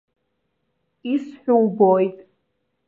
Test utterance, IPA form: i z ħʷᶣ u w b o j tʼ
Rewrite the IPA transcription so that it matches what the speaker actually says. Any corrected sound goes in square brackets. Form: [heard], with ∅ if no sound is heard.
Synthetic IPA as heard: i [s] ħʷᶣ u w b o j tʼ

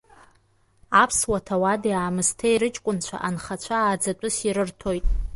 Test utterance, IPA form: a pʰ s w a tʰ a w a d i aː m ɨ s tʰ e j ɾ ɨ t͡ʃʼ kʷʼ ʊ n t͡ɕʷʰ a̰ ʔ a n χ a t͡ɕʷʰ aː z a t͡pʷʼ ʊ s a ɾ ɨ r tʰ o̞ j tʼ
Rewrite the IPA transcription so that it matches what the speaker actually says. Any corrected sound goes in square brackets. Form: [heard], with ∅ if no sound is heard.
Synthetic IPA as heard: a pʰ s w a tʰ a w a d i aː m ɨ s tʰ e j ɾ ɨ t͡ʃʼ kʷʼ ʊ n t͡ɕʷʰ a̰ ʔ a n χ a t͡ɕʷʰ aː [d͡z] a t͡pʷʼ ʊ s [i] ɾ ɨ r tʰ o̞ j tʼ

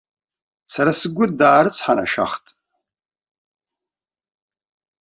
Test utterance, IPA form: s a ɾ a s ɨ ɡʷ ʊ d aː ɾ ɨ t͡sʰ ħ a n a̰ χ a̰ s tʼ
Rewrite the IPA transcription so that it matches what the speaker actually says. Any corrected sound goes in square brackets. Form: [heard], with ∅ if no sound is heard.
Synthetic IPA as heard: s a ɾ a s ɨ ɡʷ ʊ d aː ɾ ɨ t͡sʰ ħ a n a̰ [ʃ] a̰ [χ] tʼ

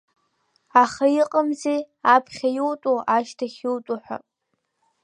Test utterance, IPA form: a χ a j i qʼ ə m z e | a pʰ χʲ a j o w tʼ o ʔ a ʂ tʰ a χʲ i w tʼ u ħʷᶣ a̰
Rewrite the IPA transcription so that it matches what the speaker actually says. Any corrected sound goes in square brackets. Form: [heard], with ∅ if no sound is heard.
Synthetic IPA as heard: a χ a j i qʼ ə m z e | a pʰ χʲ a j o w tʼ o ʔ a [ʃ] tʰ a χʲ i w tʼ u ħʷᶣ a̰

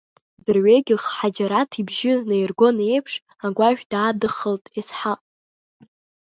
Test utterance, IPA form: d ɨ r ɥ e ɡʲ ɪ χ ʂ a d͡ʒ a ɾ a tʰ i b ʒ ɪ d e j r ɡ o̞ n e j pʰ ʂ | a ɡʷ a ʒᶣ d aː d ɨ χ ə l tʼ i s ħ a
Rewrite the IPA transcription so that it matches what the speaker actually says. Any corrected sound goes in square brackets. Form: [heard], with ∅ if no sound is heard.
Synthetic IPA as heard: d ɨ r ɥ e ɡʲ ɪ χ [ħ] a d͡ʒ a ɾ a tʰ i b ʒ ɪ [n] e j r ɡ o̞ n e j pʰ ʂ | a ɡʷ a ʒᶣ d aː d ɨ χ ə l tʼ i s ħ a

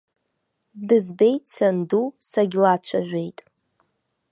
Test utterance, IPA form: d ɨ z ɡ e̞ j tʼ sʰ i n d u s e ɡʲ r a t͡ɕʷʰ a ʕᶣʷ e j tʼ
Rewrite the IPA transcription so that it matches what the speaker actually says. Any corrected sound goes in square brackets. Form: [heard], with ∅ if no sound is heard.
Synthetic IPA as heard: d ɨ z [b] e̞ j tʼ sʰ [a] n d u s [a] ɡʲ [l] a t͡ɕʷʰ a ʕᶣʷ e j tʼ

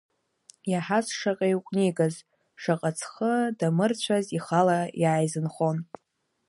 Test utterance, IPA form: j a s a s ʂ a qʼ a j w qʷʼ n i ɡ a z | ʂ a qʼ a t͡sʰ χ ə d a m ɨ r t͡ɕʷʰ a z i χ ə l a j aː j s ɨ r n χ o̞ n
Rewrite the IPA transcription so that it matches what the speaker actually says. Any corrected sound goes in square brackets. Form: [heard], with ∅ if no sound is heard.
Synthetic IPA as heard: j a [ħ] a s ʂ a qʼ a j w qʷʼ n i ɡ a z | ʂ a qʼ a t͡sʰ χ ə d a m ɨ r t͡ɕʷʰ a z i χ [a] l a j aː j [z] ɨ [∅] n χ o̞ n

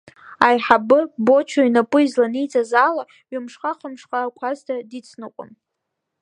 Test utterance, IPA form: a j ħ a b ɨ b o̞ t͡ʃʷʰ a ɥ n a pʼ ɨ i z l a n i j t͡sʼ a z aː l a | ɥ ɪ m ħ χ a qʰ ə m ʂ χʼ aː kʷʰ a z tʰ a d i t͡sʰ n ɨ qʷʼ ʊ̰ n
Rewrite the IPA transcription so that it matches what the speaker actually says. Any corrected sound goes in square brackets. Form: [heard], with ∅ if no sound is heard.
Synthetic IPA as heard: a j ħ a b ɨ b o̞ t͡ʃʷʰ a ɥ n a pʼ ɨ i z l a n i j t͡sʼ a z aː l a | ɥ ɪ m [ʂ] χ a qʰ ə m ʂ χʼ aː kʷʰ a z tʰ a d i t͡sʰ n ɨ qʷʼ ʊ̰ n

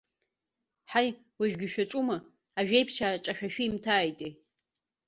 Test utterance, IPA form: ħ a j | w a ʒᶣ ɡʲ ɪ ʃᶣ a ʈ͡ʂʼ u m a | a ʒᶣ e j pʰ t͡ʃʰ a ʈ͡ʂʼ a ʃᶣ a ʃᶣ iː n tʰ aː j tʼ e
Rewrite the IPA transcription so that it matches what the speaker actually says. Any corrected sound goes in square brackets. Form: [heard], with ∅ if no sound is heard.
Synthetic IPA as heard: ħ a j | w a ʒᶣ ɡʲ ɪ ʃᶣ a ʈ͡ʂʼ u m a | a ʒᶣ e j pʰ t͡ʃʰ a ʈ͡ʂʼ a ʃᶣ a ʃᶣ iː [m] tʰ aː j tʼ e

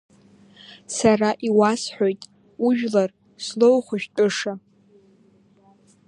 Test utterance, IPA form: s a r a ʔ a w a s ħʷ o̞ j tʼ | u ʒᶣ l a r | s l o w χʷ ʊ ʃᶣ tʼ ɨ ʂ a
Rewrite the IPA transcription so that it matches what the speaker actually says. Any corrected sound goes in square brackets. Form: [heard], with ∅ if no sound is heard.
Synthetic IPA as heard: s a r a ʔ [i] w a s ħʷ o̞ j tʼ | u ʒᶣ l a r | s l o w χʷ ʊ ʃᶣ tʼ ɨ ʂ a

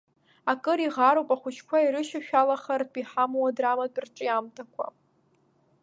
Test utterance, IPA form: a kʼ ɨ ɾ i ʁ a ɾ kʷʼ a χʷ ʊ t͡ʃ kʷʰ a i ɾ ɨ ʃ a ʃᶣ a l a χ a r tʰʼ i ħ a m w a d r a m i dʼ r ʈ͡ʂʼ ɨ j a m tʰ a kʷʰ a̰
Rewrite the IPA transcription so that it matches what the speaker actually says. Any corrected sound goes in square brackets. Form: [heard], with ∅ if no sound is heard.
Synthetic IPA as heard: a kʼ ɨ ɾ i ʁ a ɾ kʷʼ a χʷ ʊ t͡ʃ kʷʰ a i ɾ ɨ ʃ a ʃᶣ a l a χ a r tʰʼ i ħ a m w a d r a m [a] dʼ r ʈ͡ʂʼ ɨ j a m tʰ a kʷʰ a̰

